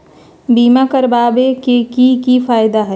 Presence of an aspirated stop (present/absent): absent